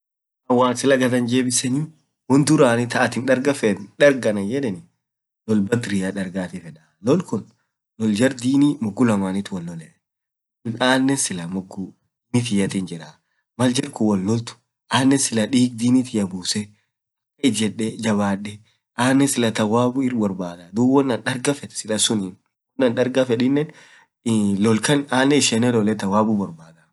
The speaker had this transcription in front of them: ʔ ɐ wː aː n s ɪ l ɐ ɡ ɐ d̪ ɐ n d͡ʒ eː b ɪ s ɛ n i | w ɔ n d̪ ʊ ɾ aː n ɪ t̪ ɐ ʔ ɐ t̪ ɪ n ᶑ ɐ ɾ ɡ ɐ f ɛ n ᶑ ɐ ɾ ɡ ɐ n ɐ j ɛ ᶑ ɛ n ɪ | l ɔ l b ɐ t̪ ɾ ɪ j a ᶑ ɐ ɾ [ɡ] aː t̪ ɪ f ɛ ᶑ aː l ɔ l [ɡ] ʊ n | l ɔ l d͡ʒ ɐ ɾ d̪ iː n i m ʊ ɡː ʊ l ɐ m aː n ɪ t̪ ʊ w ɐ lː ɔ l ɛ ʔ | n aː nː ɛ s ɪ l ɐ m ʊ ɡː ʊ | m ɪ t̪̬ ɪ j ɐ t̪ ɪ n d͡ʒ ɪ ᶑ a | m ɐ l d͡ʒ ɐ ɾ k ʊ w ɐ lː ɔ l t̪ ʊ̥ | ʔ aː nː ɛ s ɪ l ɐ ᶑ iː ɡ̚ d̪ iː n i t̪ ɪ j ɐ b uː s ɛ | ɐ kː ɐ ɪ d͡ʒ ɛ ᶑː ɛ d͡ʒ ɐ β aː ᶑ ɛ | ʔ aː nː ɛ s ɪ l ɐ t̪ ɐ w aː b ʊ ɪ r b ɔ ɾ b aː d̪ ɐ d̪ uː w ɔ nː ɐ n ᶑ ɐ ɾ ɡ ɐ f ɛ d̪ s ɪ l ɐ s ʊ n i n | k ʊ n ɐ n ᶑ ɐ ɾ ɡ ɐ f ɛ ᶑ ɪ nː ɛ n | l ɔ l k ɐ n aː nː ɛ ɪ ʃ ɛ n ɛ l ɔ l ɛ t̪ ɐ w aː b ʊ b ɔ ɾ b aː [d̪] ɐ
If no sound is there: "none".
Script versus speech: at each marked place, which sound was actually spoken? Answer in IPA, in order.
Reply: ɡ, k, d̪

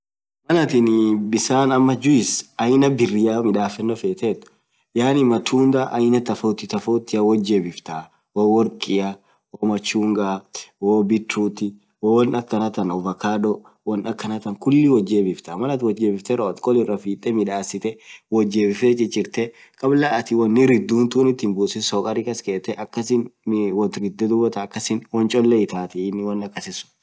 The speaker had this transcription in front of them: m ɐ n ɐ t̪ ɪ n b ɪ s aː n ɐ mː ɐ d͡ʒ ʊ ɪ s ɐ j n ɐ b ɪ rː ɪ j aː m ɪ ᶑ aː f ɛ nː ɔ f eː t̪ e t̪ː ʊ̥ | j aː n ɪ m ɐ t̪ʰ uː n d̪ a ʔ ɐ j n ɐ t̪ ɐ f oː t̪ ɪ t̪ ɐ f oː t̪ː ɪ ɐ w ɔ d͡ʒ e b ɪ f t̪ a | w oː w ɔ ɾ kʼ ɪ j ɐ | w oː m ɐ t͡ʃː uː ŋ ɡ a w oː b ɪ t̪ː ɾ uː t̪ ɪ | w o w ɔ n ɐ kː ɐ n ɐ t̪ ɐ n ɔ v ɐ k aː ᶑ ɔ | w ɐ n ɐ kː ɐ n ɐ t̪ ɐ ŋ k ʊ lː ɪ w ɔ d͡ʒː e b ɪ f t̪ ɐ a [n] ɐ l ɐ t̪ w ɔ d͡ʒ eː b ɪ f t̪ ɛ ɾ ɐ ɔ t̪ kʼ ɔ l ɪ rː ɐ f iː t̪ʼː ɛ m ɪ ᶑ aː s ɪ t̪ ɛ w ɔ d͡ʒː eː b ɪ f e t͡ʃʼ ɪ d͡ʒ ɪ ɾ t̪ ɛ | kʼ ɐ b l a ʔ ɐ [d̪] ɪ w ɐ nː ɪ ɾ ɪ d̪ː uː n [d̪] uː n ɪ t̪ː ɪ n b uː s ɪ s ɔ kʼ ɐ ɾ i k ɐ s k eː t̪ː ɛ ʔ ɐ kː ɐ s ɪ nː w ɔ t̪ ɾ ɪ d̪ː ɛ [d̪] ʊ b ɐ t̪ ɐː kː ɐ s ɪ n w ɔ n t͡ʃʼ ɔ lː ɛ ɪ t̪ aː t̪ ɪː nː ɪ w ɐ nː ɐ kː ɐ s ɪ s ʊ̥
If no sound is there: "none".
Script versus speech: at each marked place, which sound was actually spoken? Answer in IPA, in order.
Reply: m, t̪, t̪, d̪

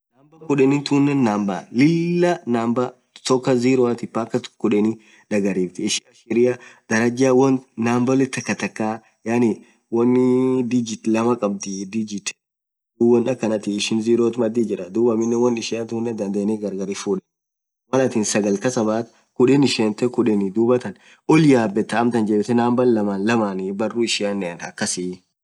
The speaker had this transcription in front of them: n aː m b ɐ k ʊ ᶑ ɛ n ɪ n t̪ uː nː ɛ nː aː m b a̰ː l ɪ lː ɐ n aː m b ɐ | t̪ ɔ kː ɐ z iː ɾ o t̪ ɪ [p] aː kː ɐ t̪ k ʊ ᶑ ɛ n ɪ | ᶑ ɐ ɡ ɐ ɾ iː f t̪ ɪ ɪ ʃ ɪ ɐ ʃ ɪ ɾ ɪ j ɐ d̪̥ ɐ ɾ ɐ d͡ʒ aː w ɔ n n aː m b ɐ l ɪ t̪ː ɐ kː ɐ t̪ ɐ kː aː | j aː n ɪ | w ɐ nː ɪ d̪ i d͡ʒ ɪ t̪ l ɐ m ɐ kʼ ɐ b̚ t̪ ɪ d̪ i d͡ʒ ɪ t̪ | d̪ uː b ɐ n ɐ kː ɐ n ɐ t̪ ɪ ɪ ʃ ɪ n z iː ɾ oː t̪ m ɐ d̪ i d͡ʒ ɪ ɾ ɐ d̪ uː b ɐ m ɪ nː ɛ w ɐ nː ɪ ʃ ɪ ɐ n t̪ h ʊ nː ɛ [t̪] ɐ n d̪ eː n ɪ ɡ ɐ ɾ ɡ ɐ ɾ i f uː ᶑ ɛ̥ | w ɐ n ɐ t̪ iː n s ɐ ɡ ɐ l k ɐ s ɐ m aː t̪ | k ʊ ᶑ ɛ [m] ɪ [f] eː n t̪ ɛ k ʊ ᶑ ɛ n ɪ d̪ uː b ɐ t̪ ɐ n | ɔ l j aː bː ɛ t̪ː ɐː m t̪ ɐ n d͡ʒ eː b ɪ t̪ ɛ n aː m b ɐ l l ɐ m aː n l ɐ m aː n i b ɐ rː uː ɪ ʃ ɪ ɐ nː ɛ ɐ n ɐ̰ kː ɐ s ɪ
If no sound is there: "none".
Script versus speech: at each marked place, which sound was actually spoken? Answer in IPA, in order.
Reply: p, d̪, n, ʃ

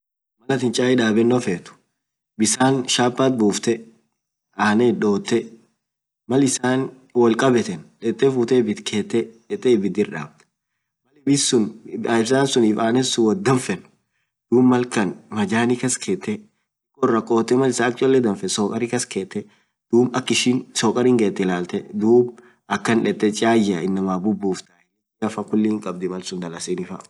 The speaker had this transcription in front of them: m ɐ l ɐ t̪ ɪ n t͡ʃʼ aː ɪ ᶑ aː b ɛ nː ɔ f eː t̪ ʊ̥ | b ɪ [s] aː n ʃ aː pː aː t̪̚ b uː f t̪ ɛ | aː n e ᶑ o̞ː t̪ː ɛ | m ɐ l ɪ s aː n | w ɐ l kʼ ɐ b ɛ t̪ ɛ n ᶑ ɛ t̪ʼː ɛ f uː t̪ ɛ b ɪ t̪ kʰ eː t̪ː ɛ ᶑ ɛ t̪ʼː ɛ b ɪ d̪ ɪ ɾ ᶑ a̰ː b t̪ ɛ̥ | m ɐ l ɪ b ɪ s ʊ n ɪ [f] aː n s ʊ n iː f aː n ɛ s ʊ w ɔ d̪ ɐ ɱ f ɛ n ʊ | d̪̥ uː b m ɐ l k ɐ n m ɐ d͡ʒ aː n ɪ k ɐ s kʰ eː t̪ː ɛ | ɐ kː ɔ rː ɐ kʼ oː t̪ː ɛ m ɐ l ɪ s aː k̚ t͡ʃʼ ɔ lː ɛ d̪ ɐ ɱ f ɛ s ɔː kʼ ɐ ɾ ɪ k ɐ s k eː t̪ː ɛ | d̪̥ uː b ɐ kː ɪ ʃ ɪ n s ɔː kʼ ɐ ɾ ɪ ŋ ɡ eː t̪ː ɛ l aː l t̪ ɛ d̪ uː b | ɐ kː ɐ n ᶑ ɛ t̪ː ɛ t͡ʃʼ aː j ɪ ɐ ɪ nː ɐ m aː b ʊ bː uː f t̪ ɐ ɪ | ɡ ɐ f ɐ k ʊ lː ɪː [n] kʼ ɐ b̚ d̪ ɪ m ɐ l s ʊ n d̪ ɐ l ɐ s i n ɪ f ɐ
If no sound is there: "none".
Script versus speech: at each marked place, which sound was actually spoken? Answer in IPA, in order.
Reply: s, s, ŋ

